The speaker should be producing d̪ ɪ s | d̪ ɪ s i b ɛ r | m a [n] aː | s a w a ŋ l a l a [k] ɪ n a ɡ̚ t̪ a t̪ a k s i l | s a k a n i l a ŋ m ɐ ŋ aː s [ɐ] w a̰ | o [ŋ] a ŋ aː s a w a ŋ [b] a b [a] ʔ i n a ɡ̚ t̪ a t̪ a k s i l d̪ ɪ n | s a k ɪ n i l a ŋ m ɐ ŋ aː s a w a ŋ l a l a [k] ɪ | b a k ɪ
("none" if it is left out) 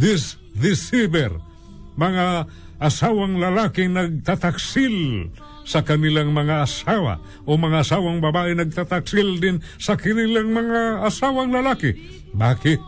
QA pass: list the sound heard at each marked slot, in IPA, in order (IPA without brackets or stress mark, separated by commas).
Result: ŋ, k, a, m, b, a, k